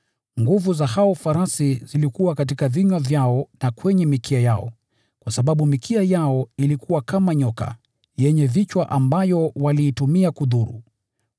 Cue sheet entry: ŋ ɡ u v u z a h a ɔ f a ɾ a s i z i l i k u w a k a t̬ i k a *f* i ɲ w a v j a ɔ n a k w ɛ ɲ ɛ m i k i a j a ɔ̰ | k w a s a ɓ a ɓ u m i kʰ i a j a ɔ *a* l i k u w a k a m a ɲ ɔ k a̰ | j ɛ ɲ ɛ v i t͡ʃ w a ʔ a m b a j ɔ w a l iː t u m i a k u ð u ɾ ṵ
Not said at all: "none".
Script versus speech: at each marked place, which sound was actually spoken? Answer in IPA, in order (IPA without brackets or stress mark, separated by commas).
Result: v, i